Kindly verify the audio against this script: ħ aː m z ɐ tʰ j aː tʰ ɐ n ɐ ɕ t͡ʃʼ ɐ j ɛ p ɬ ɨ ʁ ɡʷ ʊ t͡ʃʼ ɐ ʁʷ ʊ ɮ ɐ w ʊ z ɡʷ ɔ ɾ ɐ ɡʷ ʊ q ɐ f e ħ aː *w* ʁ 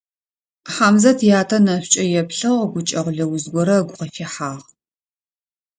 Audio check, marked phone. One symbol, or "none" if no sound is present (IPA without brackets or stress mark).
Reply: none